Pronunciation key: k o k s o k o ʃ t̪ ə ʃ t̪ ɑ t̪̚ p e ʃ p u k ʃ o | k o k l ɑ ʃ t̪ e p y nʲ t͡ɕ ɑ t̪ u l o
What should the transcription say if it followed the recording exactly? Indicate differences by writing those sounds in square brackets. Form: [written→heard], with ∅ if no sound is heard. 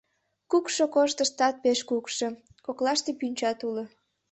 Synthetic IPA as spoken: k [o→u] k [s→ʃ] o k o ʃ t̪ ə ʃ t̪ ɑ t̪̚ p e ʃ [p→k] u k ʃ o | k o k l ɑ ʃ t̪ e p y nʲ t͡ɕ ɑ t̪ u l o